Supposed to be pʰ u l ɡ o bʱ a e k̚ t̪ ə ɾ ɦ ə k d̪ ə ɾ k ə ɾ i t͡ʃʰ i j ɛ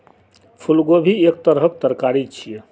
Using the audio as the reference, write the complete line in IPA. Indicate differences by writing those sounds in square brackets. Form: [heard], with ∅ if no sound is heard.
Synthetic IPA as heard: pʰ u l ɡ o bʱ [i] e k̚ t̪ ə ɾ ɦ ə k [t̪] ə ɾ k [a] ɾ i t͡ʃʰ i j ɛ